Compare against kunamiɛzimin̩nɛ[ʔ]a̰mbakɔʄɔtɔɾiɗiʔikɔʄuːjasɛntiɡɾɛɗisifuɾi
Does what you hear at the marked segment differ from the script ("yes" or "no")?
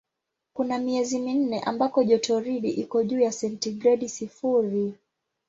no